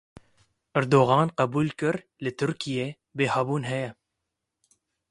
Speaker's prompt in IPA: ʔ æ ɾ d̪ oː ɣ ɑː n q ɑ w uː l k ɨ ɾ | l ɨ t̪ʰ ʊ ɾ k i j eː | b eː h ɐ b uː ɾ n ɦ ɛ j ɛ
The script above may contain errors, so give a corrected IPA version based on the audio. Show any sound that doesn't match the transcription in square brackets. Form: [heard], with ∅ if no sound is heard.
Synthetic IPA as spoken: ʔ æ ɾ d̪ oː ɣ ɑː n q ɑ [b] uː l k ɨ ɾ | l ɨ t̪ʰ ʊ ɾ k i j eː | b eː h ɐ b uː [∅] n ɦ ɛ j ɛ